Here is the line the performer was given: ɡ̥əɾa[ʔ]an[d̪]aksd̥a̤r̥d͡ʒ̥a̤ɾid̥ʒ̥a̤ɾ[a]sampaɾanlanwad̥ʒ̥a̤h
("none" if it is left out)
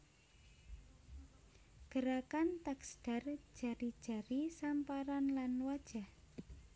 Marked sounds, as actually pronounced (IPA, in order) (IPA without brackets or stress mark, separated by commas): k, t̪, i